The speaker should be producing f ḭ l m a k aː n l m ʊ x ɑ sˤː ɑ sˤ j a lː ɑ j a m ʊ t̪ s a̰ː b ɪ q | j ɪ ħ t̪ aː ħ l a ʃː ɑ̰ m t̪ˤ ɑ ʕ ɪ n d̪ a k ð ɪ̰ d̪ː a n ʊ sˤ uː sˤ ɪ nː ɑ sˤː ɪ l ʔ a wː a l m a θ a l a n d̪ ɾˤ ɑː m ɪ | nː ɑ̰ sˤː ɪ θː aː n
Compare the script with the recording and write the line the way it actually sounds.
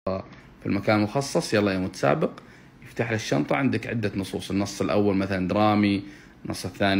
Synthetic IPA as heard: f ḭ l m a k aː n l m ʊ x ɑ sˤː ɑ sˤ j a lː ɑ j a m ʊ t̪ s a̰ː b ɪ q | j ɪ f t̪ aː ħ l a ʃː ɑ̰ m t̪ˤ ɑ ʕ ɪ n d̪ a k ʕ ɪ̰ d̪ː a n ʊ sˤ uː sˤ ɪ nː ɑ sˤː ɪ l ʔ a wː a l m a θ a l a n d̪ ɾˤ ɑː m i | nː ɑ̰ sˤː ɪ θː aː n